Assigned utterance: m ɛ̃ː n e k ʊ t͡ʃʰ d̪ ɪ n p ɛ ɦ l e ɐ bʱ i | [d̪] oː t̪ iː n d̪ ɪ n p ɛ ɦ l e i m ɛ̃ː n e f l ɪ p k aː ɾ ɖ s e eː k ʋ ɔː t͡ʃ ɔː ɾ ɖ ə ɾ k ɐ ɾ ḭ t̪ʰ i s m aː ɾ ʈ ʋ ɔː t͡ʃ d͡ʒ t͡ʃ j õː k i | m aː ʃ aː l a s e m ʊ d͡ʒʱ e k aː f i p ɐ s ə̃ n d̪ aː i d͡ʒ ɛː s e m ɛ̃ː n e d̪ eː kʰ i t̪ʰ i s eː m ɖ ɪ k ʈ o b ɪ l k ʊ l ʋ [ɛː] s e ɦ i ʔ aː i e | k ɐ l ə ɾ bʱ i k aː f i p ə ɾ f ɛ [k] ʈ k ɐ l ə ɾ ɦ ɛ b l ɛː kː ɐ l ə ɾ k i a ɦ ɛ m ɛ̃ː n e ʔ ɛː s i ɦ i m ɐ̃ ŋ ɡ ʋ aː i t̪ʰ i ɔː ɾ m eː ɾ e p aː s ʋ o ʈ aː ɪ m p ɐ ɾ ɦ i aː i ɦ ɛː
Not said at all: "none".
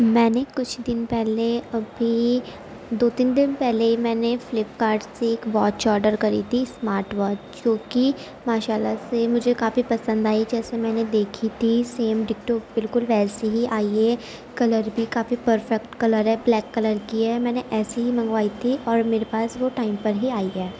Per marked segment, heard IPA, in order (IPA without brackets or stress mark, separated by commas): d̪, ɛː, k